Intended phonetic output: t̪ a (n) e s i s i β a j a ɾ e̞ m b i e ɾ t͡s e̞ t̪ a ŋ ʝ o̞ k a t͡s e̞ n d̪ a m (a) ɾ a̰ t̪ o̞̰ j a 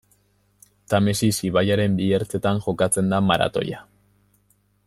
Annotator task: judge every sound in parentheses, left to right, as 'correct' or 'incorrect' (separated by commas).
incorrect, correct